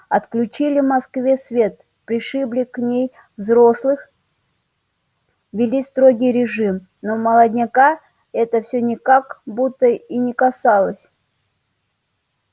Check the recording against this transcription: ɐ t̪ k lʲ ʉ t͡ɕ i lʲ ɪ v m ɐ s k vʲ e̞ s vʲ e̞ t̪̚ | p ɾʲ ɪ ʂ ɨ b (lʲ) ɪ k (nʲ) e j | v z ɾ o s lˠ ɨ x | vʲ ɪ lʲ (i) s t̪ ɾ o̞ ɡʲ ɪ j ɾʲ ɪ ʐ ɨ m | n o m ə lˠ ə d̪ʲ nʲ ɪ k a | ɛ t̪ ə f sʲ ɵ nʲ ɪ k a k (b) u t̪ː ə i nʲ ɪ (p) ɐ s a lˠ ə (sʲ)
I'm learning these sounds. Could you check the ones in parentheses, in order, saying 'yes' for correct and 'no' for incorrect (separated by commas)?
yes, yes, yes, yes, no, yes